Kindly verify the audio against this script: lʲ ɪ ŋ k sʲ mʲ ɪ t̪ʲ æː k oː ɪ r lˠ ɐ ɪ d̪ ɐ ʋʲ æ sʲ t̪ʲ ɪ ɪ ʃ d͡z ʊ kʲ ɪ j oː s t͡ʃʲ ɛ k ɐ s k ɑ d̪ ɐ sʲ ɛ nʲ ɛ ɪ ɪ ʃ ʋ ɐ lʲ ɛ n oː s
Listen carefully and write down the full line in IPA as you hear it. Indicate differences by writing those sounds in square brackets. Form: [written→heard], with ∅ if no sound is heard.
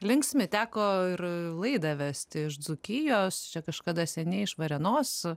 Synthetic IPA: lʲ ɪ ŋ k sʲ mʲ ɪ t̪ʲ æː k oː ɪ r lˠ ɐ ɪ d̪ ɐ ʋʲ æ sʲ t̪ʲ ɪ ɪ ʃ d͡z ʊ kʲ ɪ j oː s t͡ʃʲ ɛ k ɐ [s→ʃ] k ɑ d̪ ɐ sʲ ɛ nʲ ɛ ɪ ɪ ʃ ʋ ɐ [lʲ→ɾʲ] ɛ n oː s